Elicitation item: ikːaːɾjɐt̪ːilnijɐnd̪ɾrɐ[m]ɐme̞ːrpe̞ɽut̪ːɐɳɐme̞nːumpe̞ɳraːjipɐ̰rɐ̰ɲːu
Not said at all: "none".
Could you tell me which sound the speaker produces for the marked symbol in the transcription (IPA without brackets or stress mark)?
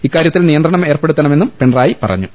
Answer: ɳ